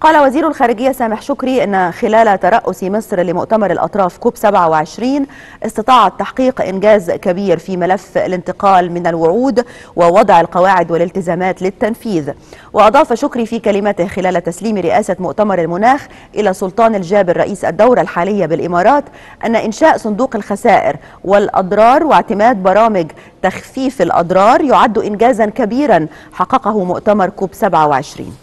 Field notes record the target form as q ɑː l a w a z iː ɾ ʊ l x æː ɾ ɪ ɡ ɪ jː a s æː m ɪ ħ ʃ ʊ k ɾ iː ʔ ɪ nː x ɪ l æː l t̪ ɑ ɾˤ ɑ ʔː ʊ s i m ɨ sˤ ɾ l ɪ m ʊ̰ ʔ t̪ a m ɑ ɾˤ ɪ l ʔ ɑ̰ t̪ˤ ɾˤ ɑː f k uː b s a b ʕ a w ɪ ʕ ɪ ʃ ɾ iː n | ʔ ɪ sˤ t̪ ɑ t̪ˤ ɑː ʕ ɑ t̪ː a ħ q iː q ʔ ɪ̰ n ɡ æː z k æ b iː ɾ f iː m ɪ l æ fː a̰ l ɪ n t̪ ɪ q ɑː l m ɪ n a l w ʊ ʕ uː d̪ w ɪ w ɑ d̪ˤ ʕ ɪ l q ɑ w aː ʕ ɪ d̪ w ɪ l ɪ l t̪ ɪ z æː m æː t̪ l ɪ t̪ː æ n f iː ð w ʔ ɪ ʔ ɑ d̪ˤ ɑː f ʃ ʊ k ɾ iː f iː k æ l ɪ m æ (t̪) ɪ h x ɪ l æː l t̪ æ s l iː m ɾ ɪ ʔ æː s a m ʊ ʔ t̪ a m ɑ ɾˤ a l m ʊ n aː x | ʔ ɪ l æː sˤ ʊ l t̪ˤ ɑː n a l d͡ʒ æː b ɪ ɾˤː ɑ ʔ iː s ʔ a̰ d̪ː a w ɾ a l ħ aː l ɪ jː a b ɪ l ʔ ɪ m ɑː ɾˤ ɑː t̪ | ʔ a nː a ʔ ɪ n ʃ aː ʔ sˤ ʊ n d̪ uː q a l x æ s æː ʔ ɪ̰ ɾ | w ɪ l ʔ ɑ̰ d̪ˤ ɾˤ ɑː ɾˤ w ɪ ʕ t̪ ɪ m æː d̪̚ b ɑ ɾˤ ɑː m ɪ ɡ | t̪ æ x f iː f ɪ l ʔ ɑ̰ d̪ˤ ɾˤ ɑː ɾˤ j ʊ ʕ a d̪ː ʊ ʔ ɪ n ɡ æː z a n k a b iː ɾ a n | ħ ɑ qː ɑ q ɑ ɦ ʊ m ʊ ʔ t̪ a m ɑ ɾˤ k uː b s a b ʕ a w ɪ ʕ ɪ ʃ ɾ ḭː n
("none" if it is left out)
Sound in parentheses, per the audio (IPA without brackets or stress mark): t̪